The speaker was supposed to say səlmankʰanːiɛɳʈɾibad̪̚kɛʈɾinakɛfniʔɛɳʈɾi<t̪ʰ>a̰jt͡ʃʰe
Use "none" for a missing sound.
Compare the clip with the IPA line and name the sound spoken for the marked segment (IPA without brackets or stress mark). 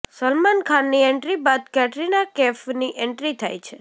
t̪ʰ